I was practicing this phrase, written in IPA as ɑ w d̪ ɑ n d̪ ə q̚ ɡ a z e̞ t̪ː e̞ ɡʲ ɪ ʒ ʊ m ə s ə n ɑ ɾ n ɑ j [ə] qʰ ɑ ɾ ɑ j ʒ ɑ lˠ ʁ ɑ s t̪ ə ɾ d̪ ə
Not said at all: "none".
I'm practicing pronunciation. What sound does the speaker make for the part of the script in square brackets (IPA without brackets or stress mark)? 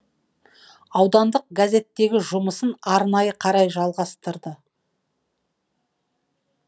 ə